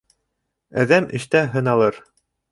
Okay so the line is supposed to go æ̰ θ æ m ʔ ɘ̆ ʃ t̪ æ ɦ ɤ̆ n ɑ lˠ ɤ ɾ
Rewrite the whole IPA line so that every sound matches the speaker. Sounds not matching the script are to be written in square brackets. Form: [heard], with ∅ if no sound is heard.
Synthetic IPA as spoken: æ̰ [ð] æ m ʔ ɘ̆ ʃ t̪ æ ɦ ɤ̆ n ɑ lˠ ɤ ɾ